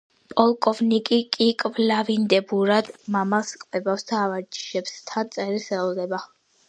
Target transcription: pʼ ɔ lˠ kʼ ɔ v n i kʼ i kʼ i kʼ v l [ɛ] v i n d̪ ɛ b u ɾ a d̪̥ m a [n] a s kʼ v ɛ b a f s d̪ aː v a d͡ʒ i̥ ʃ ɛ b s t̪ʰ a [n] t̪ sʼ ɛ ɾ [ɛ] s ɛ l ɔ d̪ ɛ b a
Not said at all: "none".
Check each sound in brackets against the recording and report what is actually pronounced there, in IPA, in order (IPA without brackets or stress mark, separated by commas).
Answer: a, m, n, i